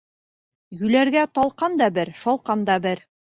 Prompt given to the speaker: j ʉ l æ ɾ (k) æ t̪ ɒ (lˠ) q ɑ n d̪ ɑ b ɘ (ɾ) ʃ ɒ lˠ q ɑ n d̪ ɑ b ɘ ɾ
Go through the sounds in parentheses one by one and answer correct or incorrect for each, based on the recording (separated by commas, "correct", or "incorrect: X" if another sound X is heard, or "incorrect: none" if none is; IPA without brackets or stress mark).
incorrect: ɡ, correct, correct